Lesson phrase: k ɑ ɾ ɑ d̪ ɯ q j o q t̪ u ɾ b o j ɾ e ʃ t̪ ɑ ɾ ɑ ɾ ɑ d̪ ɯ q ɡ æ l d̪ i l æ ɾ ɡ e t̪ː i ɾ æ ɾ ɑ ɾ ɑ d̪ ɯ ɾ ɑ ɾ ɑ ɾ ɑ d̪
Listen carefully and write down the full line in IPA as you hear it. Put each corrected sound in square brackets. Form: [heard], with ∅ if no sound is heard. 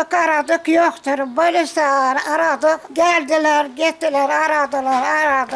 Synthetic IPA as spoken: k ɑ ɾ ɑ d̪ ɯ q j o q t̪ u ɾ b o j [l] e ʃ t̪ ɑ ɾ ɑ ɾ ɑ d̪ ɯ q ɡ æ l d̪ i l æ ɾ ɡ e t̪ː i [l] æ ɾ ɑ ɾ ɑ d̪ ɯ [l] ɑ ɾ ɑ ɾ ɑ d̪